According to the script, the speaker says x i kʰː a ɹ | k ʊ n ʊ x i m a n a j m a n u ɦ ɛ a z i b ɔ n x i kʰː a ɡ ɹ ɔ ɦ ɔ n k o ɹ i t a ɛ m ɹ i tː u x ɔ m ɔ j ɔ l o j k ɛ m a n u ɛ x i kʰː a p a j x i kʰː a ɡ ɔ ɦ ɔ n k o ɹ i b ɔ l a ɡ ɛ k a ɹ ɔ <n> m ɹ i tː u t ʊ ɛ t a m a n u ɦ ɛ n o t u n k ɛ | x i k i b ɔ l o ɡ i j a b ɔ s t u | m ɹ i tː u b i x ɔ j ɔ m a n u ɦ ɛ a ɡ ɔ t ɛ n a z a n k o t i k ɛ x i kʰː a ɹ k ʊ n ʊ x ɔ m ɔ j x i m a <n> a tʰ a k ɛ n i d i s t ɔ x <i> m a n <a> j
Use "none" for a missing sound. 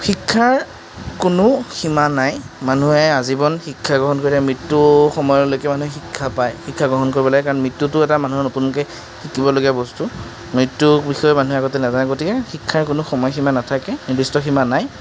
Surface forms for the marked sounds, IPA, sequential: n, n, i, a

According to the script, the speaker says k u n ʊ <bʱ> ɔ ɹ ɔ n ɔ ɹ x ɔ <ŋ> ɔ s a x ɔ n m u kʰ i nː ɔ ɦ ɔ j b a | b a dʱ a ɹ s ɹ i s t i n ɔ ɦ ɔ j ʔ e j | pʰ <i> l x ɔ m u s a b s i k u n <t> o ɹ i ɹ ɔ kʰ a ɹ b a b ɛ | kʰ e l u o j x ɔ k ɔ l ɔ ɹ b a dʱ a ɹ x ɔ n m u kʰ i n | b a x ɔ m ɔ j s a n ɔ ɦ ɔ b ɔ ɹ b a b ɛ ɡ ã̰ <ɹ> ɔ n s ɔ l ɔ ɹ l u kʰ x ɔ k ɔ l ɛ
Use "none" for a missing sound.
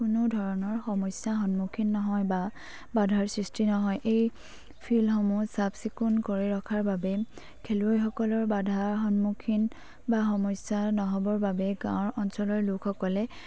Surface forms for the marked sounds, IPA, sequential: dʱ, m, i, k, ɹ

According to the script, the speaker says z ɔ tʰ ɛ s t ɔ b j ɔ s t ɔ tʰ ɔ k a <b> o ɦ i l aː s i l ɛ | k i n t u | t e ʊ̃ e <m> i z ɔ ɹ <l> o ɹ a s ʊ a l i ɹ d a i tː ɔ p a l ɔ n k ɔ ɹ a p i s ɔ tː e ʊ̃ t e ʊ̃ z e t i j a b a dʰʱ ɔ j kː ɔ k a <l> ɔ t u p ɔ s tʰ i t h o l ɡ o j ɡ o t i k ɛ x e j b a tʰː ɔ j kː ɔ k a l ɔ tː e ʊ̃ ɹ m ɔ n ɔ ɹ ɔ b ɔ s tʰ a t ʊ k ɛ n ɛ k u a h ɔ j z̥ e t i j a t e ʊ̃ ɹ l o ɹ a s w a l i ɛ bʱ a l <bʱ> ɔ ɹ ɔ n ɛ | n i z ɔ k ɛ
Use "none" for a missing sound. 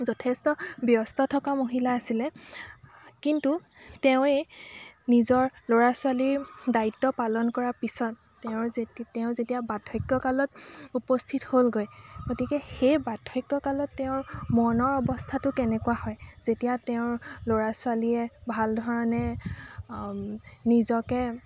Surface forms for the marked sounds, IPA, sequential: m, n, l, l, dʱ

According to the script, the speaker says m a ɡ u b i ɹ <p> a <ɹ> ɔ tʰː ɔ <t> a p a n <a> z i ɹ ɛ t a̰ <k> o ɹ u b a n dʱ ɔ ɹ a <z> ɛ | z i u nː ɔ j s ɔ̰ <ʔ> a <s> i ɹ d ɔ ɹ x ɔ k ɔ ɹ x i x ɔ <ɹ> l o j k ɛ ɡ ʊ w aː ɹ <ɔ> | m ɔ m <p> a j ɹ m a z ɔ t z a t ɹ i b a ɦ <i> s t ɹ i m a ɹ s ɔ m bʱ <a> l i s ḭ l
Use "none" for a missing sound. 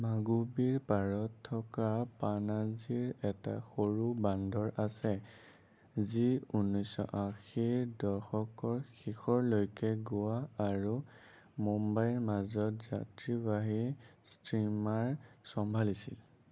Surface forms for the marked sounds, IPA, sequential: p, ɹ, k, a, x, s, ʔ, x, ɹ, u, b, i, a

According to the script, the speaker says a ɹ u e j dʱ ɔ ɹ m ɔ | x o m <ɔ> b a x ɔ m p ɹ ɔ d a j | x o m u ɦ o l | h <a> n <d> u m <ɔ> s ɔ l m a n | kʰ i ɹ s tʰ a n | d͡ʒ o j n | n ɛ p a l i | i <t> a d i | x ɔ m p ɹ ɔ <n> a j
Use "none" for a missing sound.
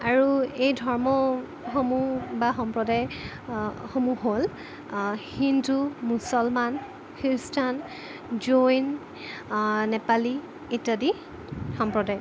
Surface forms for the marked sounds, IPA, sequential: u, i, d, u, t, d

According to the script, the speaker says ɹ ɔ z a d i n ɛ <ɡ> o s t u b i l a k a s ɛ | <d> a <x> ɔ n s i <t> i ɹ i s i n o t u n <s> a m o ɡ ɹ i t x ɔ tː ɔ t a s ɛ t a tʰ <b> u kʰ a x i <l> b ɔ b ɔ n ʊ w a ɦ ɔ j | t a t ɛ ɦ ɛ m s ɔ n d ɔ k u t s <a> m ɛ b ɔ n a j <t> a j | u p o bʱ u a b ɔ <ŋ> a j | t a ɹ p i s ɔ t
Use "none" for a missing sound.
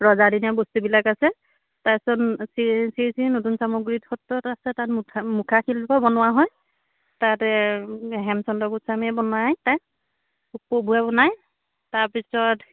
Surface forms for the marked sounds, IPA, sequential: b, t, s, s, s, m, l, a, t, n

